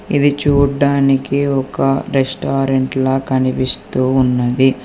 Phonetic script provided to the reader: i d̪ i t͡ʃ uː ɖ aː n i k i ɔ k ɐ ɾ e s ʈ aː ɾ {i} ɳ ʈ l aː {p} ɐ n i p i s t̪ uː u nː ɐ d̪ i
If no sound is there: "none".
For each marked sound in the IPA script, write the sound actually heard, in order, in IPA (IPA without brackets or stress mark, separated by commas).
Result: e, k